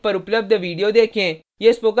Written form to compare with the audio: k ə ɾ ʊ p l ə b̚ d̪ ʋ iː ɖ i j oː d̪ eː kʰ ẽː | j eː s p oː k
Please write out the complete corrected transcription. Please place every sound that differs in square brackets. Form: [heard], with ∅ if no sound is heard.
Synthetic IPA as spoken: [p] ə ɾ ʊ p l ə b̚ d̪ ʋ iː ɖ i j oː d̪ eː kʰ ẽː | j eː s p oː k